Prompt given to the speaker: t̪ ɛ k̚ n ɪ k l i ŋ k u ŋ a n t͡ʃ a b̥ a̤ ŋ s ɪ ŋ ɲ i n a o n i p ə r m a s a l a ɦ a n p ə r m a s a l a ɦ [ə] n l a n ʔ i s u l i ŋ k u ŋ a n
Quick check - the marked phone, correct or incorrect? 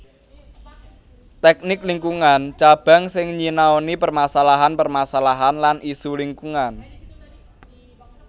incorrect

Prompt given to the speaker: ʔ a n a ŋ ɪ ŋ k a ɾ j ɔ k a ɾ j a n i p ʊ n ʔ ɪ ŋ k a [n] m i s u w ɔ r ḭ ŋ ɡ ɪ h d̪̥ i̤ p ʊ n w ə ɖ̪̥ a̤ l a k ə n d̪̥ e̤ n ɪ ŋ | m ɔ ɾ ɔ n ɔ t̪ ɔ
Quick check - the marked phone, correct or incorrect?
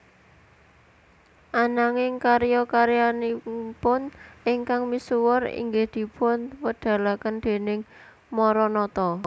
incorrect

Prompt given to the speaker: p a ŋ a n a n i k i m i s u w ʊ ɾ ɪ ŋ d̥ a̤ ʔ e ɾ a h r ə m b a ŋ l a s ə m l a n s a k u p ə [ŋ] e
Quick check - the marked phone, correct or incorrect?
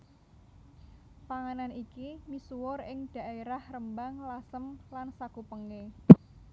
correct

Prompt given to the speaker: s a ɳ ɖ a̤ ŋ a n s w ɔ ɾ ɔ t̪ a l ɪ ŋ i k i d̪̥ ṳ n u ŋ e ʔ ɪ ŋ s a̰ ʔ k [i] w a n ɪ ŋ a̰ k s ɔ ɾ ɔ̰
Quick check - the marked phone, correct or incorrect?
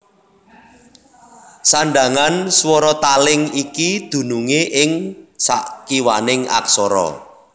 correct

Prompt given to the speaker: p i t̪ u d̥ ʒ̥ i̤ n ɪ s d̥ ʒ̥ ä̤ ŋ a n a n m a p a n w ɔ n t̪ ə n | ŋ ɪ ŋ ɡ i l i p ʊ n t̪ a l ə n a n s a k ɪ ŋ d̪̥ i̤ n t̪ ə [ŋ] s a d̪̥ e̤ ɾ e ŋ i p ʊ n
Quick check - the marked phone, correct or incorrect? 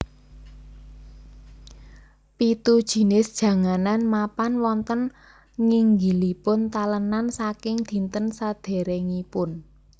incorrect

